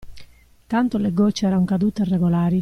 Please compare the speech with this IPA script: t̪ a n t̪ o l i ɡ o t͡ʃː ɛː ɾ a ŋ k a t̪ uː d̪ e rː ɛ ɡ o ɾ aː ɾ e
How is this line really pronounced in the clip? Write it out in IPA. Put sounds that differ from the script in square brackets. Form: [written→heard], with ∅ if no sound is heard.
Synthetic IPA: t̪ a n t̪ o l [i→e] ɡ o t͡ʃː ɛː ɾ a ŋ k a [t̪→d̪] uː [d̪→t̪] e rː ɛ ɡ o [ɾ→l] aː ɾ [e→i]